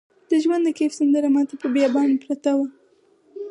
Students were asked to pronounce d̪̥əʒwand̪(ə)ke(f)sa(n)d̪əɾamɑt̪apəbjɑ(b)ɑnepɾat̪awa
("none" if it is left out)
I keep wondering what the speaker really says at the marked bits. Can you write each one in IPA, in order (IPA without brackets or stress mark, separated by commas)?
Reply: ə, f, n, b